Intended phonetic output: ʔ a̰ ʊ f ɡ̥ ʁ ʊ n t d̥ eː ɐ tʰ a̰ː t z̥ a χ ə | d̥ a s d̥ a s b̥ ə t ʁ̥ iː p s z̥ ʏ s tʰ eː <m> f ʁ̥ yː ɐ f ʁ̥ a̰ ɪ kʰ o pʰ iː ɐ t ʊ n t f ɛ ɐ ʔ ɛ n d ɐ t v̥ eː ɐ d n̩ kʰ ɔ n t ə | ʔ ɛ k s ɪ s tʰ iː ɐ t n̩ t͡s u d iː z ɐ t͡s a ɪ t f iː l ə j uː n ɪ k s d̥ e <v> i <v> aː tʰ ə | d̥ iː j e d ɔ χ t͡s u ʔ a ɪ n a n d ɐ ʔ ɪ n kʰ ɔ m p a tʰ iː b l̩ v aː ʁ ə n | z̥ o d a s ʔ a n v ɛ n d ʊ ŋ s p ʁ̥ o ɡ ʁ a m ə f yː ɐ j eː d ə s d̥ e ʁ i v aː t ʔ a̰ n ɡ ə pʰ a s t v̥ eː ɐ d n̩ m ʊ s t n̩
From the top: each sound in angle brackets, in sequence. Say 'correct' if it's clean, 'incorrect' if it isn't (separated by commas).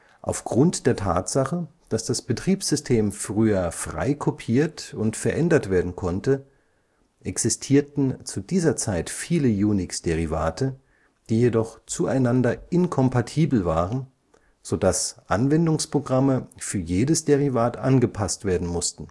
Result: correct, incorrect, correct